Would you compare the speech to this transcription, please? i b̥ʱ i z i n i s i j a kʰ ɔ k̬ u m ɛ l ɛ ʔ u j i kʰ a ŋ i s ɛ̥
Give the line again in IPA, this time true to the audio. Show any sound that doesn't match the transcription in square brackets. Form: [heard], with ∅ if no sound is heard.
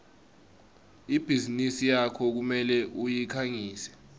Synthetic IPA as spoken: i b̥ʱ i z i n i s i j a kʰ ɔ k̬ u m ɛ l ɛ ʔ u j i kʰ a ŋ [iː] s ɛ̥